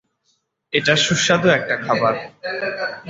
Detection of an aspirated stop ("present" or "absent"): present